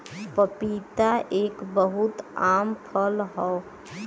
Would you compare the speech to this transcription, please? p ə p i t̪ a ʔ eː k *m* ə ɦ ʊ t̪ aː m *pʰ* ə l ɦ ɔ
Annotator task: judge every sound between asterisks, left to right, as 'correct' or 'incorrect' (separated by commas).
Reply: incorrect, correct